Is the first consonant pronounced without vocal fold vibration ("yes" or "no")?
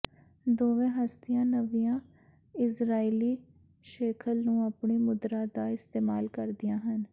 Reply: no